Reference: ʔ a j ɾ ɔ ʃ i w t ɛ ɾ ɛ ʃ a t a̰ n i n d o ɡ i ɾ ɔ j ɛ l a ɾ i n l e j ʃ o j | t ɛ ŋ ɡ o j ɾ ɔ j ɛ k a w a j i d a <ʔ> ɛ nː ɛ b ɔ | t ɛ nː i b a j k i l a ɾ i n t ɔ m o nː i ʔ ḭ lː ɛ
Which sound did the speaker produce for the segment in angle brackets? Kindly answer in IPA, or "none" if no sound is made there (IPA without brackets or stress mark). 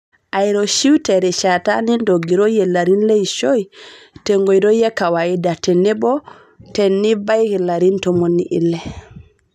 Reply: t